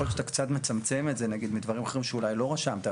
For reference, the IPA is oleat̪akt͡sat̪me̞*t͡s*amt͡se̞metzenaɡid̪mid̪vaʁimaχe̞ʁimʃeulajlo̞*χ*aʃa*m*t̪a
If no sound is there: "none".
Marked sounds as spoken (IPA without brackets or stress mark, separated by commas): t͡s, ʁ, m